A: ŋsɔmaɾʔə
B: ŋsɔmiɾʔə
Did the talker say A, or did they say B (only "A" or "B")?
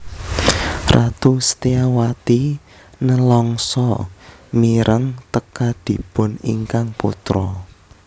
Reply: B